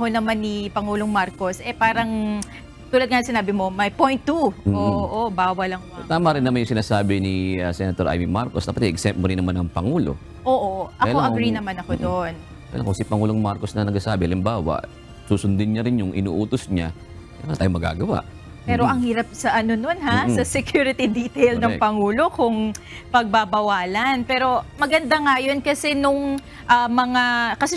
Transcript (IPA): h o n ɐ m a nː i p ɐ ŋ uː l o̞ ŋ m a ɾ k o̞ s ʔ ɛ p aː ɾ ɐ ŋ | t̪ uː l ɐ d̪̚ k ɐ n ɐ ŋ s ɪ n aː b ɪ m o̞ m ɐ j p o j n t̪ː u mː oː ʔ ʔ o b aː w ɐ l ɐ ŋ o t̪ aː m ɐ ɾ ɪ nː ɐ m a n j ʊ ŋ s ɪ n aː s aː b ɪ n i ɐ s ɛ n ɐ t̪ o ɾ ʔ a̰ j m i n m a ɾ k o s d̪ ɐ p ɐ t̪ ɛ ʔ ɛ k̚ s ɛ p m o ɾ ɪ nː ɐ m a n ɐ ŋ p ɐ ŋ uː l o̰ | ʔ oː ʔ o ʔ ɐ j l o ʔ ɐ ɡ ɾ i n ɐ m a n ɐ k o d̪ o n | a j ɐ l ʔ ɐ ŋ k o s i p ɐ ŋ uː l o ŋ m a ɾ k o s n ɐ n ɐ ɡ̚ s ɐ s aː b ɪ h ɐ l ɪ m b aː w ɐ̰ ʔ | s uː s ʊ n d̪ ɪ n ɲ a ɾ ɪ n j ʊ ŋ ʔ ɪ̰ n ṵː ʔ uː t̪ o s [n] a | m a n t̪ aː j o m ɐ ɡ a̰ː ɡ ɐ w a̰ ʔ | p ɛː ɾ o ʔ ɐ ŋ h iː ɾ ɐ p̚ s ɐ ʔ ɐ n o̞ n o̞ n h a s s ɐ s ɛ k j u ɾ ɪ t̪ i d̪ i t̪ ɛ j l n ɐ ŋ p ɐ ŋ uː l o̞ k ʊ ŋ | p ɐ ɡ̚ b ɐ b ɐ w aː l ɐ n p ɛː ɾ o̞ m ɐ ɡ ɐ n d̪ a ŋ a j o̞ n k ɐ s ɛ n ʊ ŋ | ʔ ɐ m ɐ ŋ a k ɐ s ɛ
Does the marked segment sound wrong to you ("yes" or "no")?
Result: yes